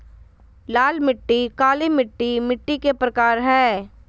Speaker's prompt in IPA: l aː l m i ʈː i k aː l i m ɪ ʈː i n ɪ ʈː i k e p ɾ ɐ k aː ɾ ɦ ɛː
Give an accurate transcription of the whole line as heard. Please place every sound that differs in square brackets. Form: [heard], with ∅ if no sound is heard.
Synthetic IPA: l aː l m [ɪ] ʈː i k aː l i m ɪ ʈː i [m] ɪ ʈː i k e p ɾ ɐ k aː ɾ ɦ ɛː